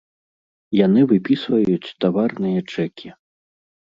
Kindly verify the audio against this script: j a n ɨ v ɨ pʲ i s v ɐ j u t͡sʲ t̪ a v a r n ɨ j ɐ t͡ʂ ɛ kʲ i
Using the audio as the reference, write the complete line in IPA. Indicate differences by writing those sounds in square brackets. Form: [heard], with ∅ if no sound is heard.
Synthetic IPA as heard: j a n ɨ v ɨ pʲ i s v ɐ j u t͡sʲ t̪ a v a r n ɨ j ɐ t͡ʂ ɛ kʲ i